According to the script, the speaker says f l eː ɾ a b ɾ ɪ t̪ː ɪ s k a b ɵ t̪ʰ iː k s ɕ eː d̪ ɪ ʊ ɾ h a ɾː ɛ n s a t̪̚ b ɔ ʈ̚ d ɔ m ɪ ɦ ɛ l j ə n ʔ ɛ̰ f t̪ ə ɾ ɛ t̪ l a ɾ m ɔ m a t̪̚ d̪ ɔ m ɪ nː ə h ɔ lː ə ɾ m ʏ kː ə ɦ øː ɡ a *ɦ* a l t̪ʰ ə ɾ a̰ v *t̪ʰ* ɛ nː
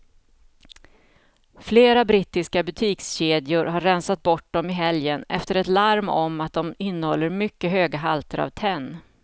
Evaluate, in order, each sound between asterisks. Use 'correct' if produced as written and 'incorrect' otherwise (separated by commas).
correct, correct